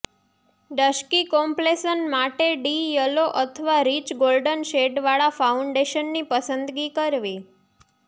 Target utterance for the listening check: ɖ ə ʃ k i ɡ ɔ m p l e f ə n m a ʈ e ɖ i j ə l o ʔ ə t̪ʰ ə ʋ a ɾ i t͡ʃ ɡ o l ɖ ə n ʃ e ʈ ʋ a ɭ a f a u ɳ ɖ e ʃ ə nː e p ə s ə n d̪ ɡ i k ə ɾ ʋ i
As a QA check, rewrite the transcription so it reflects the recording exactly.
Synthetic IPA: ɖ ə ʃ k i k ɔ m p l e s ə n m a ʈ e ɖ i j ə l o ʔ ə t̪ʰ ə ʋ a ɾ i t͡ʃ ɡ o l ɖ ə n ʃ e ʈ ʋ a ɭ a f a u ɳ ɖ e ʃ ə nː i p ə s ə n d̪ ɡ i k ə ɾ ʋ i